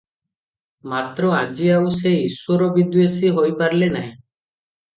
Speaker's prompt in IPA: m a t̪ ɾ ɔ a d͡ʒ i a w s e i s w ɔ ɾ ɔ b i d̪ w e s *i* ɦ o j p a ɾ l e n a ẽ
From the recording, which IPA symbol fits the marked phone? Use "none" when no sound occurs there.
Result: i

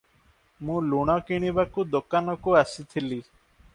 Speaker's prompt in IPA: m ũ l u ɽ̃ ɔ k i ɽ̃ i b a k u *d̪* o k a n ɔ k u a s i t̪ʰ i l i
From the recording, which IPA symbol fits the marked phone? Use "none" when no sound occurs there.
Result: d̪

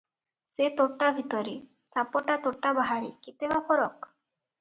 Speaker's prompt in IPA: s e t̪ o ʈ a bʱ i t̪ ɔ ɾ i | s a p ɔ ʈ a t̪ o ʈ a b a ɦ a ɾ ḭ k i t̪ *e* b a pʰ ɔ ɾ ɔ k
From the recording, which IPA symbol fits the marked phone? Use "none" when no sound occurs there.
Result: e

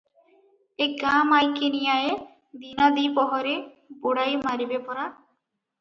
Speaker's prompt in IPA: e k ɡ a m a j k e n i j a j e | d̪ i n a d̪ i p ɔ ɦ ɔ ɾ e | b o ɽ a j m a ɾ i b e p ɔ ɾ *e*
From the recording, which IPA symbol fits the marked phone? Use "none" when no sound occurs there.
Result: a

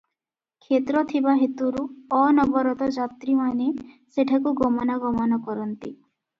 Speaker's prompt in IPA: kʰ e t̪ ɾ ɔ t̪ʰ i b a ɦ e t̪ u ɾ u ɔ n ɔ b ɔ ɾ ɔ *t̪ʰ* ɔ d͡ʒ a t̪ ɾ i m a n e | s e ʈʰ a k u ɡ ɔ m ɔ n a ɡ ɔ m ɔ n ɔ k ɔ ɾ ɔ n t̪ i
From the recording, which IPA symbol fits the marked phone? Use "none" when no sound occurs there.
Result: t̪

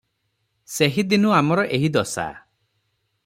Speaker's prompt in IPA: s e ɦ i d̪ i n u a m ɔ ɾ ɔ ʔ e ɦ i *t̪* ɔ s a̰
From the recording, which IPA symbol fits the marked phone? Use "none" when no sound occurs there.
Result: d̪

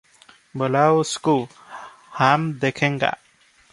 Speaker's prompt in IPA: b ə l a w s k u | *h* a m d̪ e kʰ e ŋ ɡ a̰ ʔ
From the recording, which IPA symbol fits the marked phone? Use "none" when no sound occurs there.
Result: h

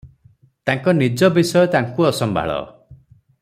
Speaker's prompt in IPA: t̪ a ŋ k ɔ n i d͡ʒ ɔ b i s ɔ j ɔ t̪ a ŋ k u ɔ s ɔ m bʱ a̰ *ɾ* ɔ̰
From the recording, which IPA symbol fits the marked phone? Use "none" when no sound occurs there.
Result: ɭ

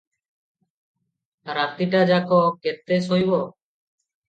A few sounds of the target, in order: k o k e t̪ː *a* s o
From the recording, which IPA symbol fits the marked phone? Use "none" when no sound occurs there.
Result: e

